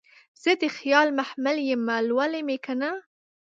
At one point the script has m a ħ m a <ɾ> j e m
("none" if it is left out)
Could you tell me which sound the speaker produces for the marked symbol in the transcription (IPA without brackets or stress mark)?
l